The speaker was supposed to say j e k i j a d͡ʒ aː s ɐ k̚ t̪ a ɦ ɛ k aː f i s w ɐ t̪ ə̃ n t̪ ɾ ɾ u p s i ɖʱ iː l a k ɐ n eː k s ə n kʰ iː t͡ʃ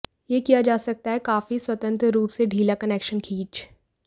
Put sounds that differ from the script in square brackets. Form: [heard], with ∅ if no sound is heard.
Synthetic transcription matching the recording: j e k i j a d͡ʒ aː s ɐ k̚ t̪ a ɦ ɛ k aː f i s w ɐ t̪ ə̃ n t̪ ɾ ɾ [uː] p s [e] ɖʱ iː l a k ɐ n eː k [ʃ] ə n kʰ iː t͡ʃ